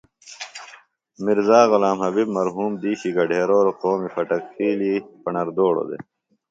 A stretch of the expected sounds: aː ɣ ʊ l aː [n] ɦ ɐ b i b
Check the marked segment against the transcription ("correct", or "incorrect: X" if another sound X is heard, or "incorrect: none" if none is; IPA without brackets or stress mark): incorrect: m